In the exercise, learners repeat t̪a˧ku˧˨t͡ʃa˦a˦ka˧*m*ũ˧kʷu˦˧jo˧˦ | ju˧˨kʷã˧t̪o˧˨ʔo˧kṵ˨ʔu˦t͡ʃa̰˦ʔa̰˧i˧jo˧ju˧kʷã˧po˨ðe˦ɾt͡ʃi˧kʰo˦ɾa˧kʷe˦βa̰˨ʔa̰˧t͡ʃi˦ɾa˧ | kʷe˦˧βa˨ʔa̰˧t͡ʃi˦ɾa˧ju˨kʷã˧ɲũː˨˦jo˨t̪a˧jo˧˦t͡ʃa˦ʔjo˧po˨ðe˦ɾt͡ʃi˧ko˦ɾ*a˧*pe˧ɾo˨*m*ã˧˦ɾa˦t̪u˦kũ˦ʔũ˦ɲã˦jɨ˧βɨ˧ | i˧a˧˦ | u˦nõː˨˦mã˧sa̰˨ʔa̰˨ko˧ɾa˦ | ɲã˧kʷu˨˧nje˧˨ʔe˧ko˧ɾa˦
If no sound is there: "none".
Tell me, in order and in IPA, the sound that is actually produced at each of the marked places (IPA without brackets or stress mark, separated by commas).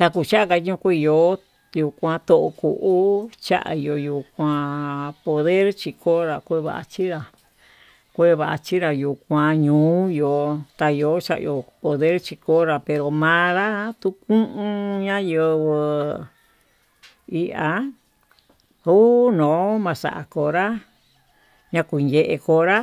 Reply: ɲ, a˧, m